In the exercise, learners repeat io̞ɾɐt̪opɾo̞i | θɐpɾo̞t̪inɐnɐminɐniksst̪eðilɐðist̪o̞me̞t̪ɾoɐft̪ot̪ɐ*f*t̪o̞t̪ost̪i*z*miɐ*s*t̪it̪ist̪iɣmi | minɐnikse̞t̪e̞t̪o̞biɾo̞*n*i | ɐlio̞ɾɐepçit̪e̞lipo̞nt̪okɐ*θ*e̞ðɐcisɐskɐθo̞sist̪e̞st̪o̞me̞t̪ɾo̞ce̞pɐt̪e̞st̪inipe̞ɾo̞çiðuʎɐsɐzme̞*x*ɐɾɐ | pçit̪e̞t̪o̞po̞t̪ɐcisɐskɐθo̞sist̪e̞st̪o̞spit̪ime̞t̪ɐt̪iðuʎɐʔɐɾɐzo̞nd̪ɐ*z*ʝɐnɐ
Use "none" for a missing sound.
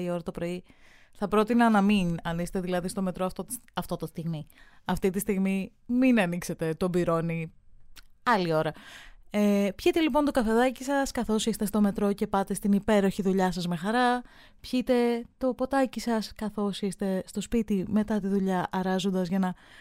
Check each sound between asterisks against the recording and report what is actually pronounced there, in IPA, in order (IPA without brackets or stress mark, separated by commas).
f, ɣ, f, n, f, x, z